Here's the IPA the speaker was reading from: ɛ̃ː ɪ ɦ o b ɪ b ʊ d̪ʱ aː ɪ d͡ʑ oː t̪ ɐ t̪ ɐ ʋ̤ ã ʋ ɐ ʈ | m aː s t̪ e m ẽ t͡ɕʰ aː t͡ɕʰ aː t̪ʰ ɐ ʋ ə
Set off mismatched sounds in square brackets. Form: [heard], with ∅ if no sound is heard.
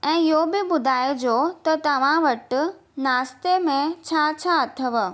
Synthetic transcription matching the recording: ɛ̃ː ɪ ɦ o b ɪ b ʊ d̪ʱ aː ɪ d͡ʑ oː t̪ ɐ t̪ ɐ ʋ̤ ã ʋ ɐ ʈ | [n] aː s t̪ e m ẽ t͡ɕʰ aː t͡ɕʰ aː t̪ʰ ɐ ʋ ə

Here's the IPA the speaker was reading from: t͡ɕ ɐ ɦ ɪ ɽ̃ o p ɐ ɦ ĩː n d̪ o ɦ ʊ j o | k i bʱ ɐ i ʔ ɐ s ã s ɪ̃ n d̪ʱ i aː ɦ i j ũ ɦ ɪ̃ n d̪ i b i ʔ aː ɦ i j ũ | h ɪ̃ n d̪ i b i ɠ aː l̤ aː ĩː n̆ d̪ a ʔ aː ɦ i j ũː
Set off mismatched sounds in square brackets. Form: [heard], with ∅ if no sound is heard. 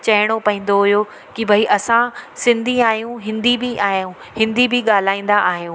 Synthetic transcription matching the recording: t͡ɕ ɐ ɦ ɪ ɽ̃ o p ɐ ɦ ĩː n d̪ o ɦ ʊ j o | k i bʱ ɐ i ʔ ɐ s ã s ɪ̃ n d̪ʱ i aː ɦ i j ũ ɦ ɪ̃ n d̪ i b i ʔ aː ɦ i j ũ | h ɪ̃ n d̪ i b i ɠ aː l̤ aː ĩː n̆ d̪ a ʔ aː ɦ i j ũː

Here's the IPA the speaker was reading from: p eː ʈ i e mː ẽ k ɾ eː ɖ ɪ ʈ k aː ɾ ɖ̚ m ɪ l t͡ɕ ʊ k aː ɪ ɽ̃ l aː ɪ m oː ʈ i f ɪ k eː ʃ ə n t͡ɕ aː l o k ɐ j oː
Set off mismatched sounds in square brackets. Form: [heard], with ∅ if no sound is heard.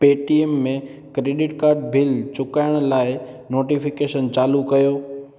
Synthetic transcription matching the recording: p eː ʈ i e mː ẽ k ɾ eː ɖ ɪ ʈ k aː ɾ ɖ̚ [b] ɪ l t͡ɕ ʊ k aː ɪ ɽ̃ l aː ɪ [n] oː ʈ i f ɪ k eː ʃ ə n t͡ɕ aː l [u] k ɐ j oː

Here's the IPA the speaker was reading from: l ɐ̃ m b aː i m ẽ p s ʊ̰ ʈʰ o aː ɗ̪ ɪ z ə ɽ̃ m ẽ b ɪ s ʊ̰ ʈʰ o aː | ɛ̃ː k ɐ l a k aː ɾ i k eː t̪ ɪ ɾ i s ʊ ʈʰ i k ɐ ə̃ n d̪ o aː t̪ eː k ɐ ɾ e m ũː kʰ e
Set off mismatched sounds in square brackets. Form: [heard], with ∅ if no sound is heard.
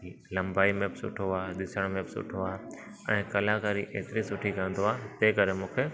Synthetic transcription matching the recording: l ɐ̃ m b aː i m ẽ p s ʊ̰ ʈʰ o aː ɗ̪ ɪ [s] ə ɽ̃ m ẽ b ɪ s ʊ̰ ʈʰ o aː | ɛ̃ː k ɐ l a k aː ɾ i [ʔ] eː t̪ ɪ ɾ i s ʊ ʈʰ i k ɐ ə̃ n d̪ o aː t̪ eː k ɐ ɾ e m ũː kʰ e

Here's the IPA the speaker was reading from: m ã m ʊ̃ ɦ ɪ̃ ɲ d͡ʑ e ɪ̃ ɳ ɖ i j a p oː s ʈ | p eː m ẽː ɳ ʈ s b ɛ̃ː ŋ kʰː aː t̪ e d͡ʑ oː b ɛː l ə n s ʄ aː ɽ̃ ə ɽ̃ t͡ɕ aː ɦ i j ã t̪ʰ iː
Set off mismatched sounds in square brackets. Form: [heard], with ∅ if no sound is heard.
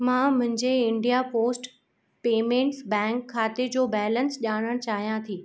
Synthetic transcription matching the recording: m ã m ʊ̃ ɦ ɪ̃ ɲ d͡ʑ e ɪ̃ ɳ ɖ i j a p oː s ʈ | p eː m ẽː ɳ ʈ s b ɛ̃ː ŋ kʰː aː t̪ e d͡ʑ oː b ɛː l ə n s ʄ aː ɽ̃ ə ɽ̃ t͡ɕ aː ɦ i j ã t̪ʰ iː

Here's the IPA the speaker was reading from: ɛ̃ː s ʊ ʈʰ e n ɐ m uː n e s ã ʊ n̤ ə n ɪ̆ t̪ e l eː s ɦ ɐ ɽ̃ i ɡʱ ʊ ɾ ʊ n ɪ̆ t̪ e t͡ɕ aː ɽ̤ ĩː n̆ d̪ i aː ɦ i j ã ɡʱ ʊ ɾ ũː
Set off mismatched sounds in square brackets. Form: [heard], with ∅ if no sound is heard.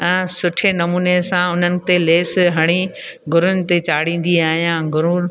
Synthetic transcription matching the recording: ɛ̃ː s ʊ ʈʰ e n ɐ m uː n e s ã ʊ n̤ ə n ɪ̆ t̪ e l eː s ɦ ɐ ɽ̃ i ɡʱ ʊ ɾ ʊ n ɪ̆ t̪ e t͡ɕ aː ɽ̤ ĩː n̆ d̪ i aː ɦ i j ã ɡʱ ʊ ɾ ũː

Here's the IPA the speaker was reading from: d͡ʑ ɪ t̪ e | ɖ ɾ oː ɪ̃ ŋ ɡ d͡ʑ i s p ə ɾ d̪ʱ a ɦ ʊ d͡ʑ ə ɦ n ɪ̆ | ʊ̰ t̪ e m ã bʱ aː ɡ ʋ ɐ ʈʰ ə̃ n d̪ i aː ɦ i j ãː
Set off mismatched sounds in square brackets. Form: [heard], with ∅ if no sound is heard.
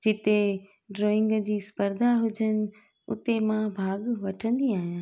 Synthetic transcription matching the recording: d͡ʑ ɪ t̪ e | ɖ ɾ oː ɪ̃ ŋ ɡ d͡ʑ [iː] s p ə ɾ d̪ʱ a ɦ ʊ d͡ʑ ə [∅] n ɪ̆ | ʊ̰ t̪ e m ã bʱ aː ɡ ʋ ɐ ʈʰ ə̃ n d̪ i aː ɦ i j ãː

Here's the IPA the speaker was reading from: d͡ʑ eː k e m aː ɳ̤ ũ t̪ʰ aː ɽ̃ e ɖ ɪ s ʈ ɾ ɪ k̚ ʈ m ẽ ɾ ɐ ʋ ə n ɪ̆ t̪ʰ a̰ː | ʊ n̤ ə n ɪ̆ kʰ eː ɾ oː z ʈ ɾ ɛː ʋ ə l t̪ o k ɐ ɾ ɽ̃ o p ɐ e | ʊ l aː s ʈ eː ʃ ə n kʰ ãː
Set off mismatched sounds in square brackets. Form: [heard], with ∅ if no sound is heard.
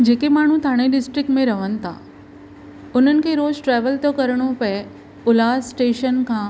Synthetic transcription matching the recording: d͡ʑ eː k e m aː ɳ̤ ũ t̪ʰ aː ɽ̃ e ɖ ɪ s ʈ ɾ ɪ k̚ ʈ m ẽ ɾ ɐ ʋ ə n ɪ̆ t̪ʰ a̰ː | ʊ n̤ ə n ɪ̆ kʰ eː ɾ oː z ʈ ɾ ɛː ʋ ə l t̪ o k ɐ ɾ ɽ̃ o p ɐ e | ʊ l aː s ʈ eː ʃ ə n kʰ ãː

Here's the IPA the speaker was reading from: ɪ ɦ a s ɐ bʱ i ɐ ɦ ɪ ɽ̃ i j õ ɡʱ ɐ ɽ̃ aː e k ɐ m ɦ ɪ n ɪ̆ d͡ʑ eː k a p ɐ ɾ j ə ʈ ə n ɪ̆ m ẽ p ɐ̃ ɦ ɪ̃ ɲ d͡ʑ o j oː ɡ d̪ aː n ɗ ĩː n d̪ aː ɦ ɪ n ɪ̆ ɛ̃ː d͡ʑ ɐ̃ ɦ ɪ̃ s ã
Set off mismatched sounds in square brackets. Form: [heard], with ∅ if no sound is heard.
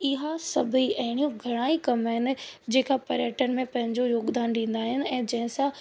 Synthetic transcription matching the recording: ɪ ɦ a s ɐ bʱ i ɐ ɦ ɪ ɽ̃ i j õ ɡʱ ɐ ɽ̃ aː [i] k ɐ m ɦ ɪ n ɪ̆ d͡ʑ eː k a p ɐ ɾ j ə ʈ ə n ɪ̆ m ẽ p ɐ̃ ɦ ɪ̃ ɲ d͡ʑ o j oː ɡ d̪ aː n ɗ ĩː n d̪ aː ɦ ɪ n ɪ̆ ɛ̃ː d͡ʑ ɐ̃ ɦ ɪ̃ s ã

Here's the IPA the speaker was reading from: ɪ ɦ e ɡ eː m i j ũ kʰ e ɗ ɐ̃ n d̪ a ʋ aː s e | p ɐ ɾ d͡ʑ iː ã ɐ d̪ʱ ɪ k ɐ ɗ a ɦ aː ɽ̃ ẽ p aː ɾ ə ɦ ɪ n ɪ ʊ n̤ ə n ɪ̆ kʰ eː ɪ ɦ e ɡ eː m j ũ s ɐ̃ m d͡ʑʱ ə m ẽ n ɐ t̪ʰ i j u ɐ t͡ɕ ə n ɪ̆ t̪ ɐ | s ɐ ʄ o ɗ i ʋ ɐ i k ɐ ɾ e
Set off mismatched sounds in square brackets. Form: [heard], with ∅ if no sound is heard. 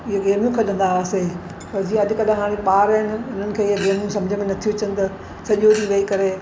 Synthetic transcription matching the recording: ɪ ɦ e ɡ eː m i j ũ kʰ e ɗ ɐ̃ n d̪ a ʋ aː s e | p ɐ ɾ d͡ʑ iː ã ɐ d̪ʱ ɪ k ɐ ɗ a ɦ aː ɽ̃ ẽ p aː ɾ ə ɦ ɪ n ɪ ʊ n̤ ə n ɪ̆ kʰ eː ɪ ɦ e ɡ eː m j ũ s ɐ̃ m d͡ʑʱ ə m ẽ n ɐ t̪ʰ i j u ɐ t͡ɕ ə n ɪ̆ t̪ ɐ | s ɐ ʄ o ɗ i ʋ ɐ i k ɐ ɾ e

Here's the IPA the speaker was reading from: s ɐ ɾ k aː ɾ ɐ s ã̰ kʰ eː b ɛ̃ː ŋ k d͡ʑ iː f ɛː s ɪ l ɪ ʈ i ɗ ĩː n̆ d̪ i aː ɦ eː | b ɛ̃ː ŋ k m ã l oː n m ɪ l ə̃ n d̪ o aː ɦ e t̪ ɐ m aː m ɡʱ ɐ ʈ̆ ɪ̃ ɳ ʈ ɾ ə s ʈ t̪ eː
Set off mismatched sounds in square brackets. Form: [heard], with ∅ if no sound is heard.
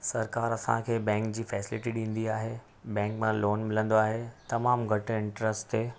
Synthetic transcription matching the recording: s ɐ ɾ k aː ɾ ɐ s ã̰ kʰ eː b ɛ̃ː ŋ k d͡ʑ iː f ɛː s ɪ l ɪ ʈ i ɗ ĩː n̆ d̪ i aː ɦ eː | b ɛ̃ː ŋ k m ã l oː n m ɪ l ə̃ n d̪ o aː ɦ e t̪ ɐ m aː m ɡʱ ɐ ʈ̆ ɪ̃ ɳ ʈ ɾ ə s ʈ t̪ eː

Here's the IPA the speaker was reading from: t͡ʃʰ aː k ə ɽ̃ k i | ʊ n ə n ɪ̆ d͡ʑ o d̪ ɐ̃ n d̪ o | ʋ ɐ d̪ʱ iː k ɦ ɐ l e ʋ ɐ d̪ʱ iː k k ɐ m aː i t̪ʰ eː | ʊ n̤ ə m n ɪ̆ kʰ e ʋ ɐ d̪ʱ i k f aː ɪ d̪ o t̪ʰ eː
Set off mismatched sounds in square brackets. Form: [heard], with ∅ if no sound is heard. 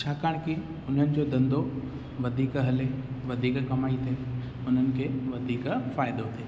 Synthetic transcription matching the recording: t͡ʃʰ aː k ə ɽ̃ k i | ʊ n ə n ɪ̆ d͡ʑ o d̪ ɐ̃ n d̪ o | ʋ ɐ d̪ʱ iː k ɦ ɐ l e ʋ ɐ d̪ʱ iː k k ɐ m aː i t̪ʰ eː | ʊ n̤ ə [∅] n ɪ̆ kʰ e ʋ ɐ d̪ʱ [iː] k f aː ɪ d̪ o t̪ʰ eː

